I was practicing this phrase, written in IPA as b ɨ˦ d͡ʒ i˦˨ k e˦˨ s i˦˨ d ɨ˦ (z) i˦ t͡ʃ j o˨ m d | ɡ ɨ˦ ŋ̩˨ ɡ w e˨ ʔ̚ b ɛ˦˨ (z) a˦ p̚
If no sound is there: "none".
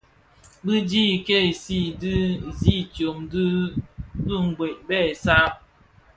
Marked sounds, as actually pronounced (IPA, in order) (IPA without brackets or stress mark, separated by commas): z, s